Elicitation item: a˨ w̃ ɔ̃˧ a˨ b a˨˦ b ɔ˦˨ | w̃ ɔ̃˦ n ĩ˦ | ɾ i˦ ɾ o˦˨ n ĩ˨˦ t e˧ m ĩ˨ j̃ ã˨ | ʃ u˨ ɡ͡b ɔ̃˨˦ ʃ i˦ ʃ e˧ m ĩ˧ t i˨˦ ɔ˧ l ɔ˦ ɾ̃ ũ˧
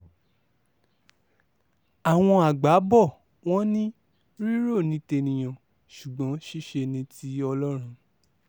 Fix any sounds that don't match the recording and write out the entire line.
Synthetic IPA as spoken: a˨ w̃ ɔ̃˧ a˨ ɡ͡b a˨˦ b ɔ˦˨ | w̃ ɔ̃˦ n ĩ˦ | ɾ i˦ ɾ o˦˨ n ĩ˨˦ t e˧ n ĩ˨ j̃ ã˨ | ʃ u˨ ɡ͡b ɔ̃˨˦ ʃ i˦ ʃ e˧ n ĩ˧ t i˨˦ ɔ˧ l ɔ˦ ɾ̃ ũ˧